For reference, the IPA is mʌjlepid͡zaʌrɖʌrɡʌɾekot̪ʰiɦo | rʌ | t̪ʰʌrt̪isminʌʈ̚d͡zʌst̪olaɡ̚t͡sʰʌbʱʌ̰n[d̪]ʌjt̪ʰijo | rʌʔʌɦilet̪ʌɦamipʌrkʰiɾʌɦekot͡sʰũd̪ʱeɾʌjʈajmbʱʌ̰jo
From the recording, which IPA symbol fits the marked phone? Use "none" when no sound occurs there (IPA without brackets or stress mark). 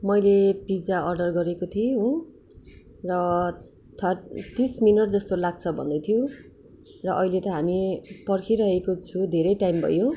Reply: d̪